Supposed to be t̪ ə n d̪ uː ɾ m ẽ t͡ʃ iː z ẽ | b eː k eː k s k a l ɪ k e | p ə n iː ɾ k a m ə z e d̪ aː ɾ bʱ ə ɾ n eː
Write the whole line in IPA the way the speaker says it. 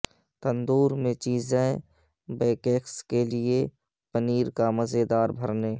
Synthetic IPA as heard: t̪ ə n d̪ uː ɾ m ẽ t͡ʃ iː z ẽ | b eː k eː k s k e l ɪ e | p ə n iː ɾ k a m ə z e d̪ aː ɾ bʱ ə ɾ n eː